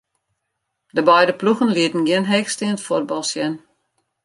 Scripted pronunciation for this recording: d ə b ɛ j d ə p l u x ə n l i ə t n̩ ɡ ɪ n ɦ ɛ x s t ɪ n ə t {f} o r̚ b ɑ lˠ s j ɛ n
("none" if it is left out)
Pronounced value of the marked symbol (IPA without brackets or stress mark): f